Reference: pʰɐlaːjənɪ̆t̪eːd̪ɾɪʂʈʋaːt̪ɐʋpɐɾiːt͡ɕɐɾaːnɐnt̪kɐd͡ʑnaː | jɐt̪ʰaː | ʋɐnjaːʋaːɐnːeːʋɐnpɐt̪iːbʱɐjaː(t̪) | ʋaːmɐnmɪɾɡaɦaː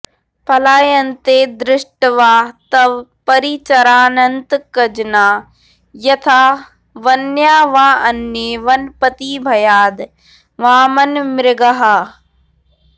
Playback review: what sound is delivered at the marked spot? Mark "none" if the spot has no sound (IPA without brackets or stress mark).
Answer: d̪